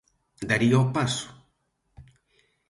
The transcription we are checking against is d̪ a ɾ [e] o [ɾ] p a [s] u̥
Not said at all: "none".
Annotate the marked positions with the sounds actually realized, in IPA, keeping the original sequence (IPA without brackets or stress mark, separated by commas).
i, none, s